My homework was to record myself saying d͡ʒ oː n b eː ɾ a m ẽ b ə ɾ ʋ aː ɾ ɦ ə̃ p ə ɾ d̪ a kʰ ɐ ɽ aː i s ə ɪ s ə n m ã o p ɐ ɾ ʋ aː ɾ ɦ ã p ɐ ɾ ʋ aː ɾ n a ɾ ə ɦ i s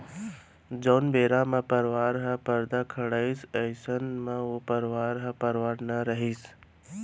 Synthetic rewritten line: d͡ʒ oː n b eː ɾ a m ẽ p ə ɾ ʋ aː ɾ ɦ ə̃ p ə ɾ d̪ a kʰ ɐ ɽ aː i s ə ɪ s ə n m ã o p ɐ ɾ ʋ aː ɾ ɦ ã p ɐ ɾ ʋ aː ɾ n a ɾ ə ɦ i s